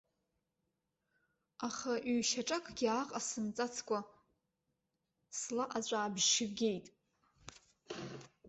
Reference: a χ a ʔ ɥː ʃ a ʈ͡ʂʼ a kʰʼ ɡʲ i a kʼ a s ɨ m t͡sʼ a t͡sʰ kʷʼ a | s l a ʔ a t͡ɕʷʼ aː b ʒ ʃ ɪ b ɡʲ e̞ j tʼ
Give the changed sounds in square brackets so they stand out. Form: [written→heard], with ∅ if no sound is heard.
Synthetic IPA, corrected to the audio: a χ a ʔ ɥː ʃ a ʈ͡ʂʼ a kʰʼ ɡʲ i a [kʼ→qʼ] a s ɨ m t͡sʼ a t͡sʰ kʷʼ a | s l a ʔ a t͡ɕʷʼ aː b ʒ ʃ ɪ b ɡʲ e̞ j tʼ